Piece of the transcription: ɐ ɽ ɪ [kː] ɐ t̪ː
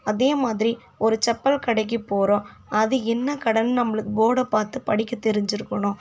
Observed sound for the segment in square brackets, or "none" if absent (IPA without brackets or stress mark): kː